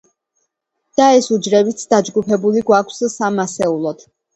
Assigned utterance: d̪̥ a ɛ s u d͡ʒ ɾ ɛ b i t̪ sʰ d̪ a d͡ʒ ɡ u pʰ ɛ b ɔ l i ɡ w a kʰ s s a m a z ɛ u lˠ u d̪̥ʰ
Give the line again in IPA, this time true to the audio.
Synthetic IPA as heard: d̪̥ a ɛ s u d͡ʒ ɾ ɛ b i t̪ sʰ d̪ a d͡ʒ ɡ u pʰ ɛ b u l i ɡ w a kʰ s s a m a s ɛ u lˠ ɔ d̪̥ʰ